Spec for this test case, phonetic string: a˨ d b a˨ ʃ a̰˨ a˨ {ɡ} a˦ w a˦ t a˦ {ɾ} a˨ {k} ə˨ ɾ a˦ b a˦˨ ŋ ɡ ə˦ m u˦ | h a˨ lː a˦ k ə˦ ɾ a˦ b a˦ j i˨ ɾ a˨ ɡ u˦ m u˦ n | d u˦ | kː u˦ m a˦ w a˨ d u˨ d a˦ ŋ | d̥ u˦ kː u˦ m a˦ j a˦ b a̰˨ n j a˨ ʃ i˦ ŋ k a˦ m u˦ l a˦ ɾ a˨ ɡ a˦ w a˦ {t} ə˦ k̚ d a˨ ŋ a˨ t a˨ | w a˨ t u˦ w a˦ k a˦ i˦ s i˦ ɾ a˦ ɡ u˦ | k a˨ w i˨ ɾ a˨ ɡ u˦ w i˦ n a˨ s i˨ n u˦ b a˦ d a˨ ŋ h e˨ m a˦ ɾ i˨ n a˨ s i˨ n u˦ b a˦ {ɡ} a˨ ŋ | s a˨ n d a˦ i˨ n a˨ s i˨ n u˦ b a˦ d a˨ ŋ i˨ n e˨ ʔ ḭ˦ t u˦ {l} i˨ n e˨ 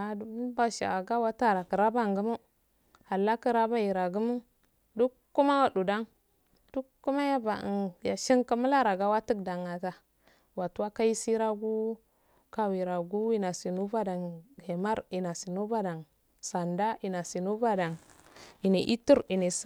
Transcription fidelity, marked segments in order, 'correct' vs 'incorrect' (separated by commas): correct, correct, correct, correct, incorrect, incorrect